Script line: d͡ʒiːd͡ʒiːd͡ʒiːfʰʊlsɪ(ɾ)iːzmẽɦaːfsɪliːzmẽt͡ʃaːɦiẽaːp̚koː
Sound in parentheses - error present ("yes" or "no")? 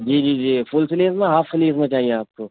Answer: yes